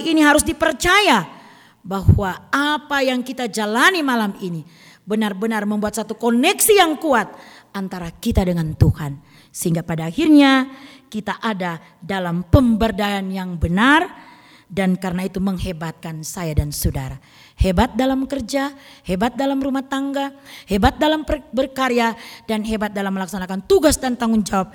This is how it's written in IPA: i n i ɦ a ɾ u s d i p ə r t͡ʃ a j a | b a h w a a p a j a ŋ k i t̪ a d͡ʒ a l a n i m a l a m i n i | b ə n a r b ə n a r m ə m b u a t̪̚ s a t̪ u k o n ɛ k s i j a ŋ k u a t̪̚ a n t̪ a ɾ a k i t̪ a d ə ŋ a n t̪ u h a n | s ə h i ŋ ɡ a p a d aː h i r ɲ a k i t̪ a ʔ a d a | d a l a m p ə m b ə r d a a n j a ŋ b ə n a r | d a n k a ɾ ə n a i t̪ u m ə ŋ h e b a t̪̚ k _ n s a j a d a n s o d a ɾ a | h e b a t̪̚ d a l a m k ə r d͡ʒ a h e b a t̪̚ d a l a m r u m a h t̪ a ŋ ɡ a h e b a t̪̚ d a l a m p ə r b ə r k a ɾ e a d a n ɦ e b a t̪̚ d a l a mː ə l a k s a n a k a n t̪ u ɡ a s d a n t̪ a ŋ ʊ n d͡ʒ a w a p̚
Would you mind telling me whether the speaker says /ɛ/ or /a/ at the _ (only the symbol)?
a